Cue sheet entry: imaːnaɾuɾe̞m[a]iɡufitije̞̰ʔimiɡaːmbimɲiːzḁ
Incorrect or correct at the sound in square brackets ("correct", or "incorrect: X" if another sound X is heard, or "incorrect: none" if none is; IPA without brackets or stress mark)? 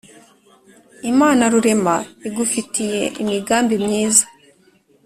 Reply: correct